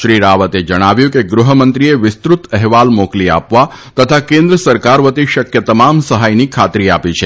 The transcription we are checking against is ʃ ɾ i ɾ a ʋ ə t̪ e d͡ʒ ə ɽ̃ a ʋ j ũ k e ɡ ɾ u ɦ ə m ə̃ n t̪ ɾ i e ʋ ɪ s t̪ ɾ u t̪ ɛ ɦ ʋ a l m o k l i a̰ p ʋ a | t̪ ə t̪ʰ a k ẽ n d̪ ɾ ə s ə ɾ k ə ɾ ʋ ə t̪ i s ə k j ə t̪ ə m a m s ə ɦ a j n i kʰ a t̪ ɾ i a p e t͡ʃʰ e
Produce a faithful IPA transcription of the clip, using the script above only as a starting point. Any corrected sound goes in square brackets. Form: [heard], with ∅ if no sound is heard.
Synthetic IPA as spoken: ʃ ɾ i ɾ a ʋ ə t̪ e d͡ʒ ə ɽ̃ a ʋ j ũ k e ɡ ɾ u ɦ ə m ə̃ n t̪ ɾ i e ʋ ɪ s t̪ ɾ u t̪ ɛ ɦ ʋ a l m o k l i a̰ p ʋ a | t̪ ə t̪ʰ a k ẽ n d̪ ɾ ə s ə ɾ k [a] ɾ ʋ ə t̪ i [ʃ] ə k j ə t̪ ə m a m s ə ɦ a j n i kʰ a t̪ ɾ i a p [i] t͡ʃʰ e